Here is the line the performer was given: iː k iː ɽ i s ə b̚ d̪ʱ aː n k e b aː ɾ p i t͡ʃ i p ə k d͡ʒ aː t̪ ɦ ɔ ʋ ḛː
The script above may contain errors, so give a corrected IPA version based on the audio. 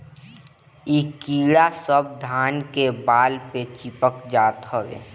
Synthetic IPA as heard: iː k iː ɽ a s ə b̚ d̪ʱ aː n k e b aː l p e t͡ʃ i p ə k d͡ʒ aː t̪ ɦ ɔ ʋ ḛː